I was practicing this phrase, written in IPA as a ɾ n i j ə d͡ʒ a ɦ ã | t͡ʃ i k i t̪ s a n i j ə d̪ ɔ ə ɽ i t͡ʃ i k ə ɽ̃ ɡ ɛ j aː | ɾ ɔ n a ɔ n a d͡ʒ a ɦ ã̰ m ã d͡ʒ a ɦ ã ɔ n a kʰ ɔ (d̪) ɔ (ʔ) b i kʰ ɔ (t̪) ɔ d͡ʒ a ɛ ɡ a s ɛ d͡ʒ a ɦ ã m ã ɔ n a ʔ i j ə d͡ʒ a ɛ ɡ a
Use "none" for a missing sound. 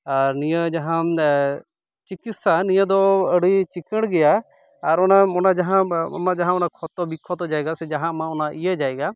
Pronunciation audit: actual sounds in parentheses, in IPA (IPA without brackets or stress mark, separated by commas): t̪, none, t̪